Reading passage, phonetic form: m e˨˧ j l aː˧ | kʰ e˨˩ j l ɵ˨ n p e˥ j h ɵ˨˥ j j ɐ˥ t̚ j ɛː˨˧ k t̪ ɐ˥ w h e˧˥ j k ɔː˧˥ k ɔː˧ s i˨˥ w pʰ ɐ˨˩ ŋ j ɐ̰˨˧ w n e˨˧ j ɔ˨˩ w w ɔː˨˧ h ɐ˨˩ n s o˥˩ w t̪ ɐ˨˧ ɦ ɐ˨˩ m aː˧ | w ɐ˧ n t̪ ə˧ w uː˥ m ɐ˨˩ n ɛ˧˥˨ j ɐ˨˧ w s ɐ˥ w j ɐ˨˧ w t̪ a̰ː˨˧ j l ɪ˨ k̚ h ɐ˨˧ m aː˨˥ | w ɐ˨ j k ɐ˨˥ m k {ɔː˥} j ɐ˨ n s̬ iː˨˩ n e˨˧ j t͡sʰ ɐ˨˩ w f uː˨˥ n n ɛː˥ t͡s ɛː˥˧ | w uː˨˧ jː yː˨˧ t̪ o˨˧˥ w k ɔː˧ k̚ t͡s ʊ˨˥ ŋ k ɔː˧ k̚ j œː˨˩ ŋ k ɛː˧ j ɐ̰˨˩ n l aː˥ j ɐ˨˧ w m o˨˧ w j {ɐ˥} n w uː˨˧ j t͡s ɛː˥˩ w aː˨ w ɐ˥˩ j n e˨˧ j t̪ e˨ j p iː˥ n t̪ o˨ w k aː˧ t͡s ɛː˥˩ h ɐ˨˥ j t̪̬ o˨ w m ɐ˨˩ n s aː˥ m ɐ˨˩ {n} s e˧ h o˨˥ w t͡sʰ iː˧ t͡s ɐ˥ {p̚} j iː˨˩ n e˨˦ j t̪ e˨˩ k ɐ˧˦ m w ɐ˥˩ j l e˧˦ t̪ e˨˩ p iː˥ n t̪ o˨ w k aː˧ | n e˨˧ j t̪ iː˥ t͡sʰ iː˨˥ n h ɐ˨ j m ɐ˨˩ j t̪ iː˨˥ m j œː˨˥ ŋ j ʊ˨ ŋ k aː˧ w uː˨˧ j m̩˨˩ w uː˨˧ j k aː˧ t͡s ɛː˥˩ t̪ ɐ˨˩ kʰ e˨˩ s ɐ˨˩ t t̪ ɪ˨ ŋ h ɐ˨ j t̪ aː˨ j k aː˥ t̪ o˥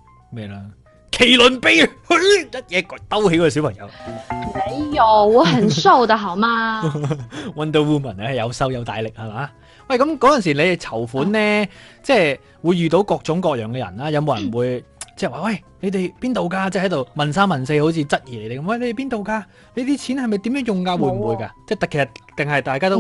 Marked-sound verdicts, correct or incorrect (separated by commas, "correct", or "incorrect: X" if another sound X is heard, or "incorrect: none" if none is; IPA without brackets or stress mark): incorrect: ɔː˨˥, incorrect: ɐ˨˩, correct, incorrect: t̚